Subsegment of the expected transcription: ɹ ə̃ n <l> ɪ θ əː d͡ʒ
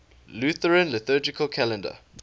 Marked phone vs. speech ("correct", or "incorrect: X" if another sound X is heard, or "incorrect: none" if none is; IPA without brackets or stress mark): correct